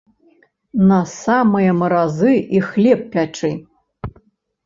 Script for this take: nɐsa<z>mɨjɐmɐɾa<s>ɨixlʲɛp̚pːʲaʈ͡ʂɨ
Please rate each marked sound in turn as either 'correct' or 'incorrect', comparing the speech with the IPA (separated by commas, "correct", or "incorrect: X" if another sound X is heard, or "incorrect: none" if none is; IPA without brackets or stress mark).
incorrect: none, incorrect: z